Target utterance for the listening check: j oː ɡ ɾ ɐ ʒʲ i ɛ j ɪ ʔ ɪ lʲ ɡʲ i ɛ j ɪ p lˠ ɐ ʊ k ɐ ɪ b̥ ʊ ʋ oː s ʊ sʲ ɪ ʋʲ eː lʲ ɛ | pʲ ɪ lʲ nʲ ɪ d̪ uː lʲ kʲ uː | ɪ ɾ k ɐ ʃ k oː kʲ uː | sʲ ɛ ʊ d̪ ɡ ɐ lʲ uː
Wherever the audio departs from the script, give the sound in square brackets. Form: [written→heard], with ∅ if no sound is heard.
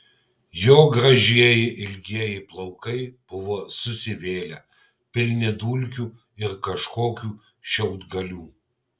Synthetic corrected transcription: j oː ɡ ɾ ɐ ʒʲ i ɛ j ɪ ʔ ɪ lʲ ɡʲ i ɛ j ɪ p lˠ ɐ ʊ k ɐ ɪ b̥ ʊ ʋ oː s ʊ sʲ ɪ ʋʲ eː lʲ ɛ | pʲ ɪ lʲ nʲ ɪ d̪ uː lʲ kʲ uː | ɪ ɾ k ɐ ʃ k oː kʲ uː | [sʲ→ʃʲ] ɛ ʊ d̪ ɡ ɐ lʲ uː

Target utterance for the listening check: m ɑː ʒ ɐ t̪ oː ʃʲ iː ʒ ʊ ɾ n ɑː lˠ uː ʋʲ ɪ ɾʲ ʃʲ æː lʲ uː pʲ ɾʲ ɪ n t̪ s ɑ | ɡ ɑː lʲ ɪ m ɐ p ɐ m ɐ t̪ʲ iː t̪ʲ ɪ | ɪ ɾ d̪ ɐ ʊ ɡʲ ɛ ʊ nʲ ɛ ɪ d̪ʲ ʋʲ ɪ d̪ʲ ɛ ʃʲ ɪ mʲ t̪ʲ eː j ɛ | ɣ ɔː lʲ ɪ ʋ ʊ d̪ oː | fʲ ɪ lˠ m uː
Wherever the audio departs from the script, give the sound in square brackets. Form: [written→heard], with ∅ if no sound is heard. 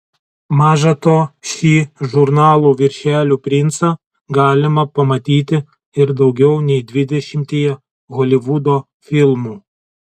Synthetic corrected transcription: m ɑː ʒ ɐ t̪ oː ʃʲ iː ʒ ʊ ɾ n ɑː lˠ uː ʋʲ ɪ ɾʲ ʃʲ æː lʲ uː pʲ ɾʲ ɪ n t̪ s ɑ | ɡ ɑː lʲ ɪ m ɐ p ɐ m ɐ t̪ʲ iː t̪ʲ ɪ | ɪ ɾ d̪ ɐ ʊ ɡʲ ɛ ʊ nʲ ɛ ɪ d̪ʲ ʋʲ ɪ d̪ʲ ɛ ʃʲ ɪ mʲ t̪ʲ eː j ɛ | ɣ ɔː lʲ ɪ ʋ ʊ d̪ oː | fʲ ɪ lˠ m uː

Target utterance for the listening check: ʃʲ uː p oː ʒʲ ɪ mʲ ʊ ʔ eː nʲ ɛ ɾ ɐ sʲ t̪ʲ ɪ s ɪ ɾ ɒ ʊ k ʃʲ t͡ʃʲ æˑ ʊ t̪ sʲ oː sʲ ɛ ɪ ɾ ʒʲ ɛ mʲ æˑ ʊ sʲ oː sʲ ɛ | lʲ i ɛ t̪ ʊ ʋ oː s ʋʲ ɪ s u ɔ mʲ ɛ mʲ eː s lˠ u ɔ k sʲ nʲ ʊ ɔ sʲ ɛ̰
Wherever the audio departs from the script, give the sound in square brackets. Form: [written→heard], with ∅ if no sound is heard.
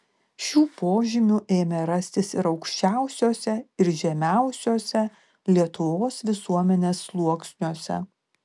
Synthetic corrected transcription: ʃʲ uː p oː ʒʲ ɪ mʲ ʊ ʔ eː [nʲ→mʲ] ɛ ɾ ɐ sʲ t̪ʲ ɪ s ɪ ɾ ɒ ʊ k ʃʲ t͡ʃʲ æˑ ʊ [t̪→∅] sʲ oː sʲ ɛ ɪ ɾ ʒʲ ɛ mʲ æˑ ʊ sʲ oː sʲ ɛ | lʲ i ɛ t̪ ʊ ʋ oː s ʋʲ ɪ s u ɔ mʲ ɛ [mʲ→nʲ] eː s lˠ u ɔ k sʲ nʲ [ʊ→u] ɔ sʲ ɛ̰

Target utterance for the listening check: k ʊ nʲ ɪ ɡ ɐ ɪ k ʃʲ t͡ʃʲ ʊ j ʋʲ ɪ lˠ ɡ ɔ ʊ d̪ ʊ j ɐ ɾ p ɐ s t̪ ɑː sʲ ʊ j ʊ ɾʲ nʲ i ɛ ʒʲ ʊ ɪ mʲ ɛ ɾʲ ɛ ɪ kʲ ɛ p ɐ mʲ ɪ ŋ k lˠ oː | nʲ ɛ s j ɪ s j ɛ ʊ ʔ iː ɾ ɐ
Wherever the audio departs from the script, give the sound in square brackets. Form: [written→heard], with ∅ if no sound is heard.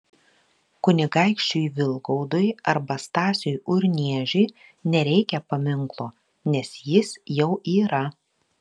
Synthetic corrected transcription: k ʊ nʲ ɪ ɡ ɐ ɪ k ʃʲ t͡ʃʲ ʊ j ʋʲ ɪ lˠ ɡ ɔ ʊ d̪ ʊ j ɐ ɾ [p→b] ɐ s t̪ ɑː sʲ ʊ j ʊ ɾʲ nʲ i ɛ ʒʲ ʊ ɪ [mʲ→nʲ] ɛ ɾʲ ɛ ɪ kʲ ɛ p ɐ mʲ ɪ ŋ k lˠ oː | nʲ ɛ s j ɪ s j ɛ ʊ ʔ iː ɾ ɐ

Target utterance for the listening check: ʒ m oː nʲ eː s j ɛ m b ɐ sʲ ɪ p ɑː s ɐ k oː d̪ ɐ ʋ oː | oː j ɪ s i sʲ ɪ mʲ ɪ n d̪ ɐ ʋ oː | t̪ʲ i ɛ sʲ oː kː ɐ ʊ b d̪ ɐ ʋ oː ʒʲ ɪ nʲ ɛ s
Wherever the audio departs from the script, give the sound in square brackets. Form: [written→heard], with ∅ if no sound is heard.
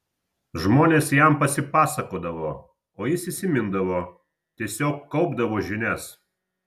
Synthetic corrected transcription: ʒ m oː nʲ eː s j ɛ m [b→p] ɐ sʲ ɪ p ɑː s ɐ k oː d̪ ɐ ʋ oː | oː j ɪ s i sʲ ɪ mʲ ɪ n d̪ ɐ ʋ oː | t̪ʲ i ɛ sʲ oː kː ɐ ʊ b d̪ ɐ ʋ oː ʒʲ ɪ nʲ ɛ s

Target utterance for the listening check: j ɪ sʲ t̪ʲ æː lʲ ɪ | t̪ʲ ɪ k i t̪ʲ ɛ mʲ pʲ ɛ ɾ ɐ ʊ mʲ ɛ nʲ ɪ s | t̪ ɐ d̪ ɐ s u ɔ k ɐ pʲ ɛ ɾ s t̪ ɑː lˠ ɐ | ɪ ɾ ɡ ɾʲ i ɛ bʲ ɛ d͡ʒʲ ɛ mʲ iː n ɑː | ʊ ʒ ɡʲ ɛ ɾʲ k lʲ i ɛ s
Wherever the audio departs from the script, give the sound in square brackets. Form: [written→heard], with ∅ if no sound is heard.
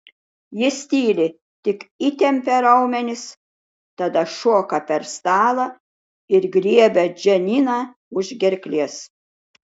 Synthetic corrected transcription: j ɪ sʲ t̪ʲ [æː→iː] lʲ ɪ | t̪ʲ ɪ k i t̪ʲ ɛ mʲ pʲ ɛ ɾ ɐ ʊ mʲ ɛ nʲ ɪ s | t̪ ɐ d̪ ɐ [s→ʃ] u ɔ k ɐ pʲ ɛ ɾ s t̪ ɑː lˠ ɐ | ɪ ɾ ɡ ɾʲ i ɛ bʲ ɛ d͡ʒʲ ɛ [mʲ→nʲ] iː n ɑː | ʊ ʒ ɡʲ ɛ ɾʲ k lʲ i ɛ s

